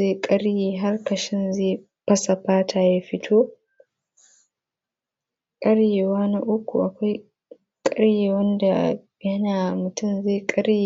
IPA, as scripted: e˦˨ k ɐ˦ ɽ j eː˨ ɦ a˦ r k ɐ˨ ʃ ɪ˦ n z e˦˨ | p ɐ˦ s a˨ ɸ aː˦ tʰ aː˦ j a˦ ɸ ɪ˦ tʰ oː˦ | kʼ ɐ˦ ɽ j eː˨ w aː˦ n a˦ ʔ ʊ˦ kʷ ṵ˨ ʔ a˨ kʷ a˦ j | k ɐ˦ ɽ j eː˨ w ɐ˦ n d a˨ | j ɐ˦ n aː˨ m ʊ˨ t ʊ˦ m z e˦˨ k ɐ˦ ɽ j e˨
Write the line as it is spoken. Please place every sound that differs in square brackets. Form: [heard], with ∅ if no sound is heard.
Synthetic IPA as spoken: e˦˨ [kʼ] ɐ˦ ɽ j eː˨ ɦ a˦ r k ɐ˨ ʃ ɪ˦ n z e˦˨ | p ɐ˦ s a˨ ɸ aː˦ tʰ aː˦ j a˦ ɸ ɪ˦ tʰ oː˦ | kʼ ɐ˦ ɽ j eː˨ w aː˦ n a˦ ʔ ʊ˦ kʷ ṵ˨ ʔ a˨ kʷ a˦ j | [kʼ] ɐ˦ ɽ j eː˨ w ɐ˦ n d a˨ | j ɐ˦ n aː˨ m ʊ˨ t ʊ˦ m z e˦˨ [kʼ] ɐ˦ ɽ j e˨

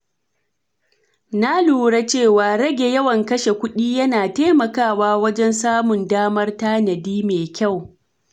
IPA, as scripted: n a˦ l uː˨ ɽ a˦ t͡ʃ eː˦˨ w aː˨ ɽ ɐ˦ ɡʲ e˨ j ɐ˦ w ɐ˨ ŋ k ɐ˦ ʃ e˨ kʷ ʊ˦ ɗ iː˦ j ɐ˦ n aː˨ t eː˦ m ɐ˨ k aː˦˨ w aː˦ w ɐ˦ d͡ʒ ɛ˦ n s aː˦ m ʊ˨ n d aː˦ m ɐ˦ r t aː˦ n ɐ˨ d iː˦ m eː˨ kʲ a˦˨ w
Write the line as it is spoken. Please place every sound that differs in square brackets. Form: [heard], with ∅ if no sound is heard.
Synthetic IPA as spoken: n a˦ l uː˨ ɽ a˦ t͡ʃ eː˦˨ w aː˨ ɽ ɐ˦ ɡʲ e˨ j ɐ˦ w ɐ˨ ŋ k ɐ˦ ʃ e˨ kʷ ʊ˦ ɗ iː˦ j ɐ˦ n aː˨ t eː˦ m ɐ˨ k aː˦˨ w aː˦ w ɐ˦ d͡ʒ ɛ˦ n s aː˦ m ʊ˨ n d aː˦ m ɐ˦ r t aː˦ n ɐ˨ d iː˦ m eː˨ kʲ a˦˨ w

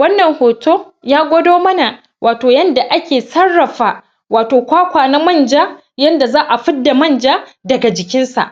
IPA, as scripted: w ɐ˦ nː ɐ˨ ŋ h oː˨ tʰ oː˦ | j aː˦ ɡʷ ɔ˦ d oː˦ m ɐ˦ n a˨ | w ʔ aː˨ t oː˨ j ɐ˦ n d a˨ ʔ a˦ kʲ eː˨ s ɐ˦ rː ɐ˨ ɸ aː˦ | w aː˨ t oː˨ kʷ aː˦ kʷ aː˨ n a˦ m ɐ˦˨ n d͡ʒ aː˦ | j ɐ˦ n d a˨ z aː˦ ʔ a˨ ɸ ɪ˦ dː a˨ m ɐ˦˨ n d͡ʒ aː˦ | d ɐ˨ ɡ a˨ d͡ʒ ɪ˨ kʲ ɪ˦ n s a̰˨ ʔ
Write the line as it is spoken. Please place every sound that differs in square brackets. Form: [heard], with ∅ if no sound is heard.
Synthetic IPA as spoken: w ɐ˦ nː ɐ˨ ŋ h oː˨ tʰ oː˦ | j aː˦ ɡʷ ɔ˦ d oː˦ m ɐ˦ n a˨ | w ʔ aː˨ t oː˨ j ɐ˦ n d a˨ ʔ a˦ kʲ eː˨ s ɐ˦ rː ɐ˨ ɸ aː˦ | w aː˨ t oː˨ kʷ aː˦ kʷ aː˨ n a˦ m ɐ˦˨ n d͡ʒ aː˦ | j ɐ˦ n d a˨ z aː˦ ʔ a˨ ɸ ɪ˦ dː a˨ m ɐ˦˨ n d͡ʒ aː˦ | d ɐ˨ ɡ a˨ d͡ʒ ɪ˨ kʲ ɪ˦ n s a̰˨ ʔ

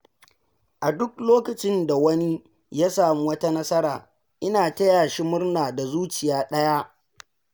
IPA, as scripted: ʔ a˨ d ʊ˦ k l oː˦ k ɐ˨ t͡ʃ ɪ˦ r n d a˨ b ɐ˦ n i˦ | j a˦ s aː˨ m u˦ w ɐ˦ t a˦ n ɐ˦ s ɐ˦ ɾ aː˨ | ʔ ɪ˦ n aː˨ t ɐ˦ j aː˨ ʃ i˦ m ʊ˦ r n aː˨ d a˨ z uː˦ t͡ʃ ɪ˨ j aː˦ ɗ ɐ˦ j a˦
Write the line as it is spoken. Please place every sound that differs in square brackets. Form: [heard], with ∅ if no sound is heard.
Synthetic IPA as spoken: ʔ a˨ d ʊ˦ k l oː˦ k ɐ˨ t͡ʃ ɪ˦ [∅] n d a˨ [w] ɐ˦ n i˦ | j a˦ s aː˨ m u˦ w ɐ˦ t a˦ n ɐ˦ s ɐ˦ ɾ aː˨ | ʔ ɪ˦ n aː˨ t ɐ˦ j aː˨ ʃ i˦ m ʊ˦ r n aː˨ d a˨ z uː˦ t͡ʃ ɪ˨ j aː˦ ɗ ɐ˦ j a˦

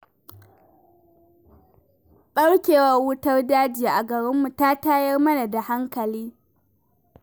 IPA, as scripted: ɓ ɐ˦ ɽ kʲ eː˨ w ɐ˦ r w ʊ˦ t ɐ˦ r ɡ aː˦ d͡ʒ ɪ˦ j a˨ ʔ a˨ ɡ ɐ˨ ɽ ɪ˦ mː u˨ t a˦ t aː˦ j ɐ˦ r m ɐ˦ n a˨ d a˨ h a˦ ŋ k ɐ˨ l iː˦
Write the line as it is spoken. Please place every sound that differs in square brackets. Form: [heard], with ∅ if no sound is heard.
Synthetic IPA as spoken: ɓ ɐ˦ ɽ kʲ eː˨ w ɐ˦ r w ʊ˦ t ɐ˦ r [d] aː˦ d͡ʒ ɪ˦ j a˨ ʔ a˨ ɡ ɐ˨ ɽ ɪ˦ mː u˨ t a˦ t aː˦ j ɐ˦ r m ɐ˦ n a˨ d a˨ h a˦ ŋ k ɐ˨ l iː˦

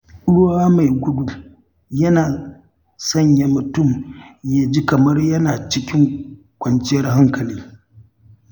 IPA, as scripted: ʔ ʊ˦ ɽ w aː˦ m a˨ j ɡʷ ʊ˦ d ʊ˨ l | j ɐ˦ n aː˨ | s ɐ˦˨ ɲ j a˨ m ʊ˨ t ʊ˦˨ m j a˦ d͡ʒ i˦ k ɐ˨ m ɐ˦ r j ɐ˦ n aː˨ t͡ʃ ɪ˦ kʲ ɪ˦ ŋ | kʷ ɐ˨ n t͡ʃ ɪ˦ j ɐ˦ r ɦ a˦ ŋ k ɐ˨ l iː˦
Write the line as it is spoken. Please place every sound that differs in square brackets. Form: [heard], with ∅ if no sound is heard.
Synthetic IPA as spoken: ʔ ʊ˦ ɽ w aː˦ m a˨ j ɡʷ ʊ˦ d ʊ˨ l | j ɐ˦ n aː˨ | s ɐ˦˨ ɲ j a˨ m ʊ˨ t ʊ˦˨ m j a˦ d͡ʒ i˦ k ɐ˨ m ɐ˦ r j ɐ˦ n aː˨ t͡ʃ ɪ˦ kʲ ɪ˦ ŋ | kʷ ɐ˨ n t͡ʃ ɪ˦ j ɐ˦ r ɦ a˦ ŋ k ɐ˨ l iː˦

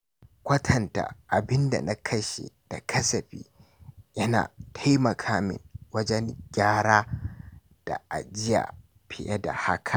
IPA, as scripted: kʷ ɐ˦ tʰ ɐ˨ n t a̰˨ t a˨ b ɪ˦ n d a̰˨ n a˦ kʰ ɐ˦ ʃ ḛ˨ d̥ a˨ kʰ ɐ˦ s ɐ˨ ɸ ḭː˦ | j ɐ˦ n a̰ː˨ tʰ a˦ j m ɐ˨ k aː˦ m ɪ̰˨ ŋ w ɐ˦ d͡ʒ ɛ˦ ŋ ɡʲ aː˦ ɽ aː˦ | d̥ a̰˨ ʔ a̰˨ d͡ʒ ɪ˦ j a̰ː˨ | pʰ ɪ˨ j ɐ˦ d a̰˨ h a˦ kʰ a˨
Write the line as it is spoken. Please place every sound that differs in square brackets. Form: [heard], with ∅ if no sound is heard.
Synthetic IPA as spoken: kʷ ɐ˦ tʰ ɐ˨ n t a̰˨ [ʔ] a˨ b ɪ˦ n d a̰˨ n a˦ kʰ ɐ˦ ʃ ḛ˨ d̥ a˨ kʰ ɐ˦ s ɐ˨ ɸ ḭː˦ | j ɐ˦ n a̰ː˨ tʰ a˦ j m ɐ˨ [kʰ] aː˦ m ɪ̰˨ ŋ w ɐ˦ d͡ʒ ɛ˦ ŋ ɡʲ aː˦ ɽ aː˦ | d̥ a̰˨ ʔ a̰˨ d͡ʒ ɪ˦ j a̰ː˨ | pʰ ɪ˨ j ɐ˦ d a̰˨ h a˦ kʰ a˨

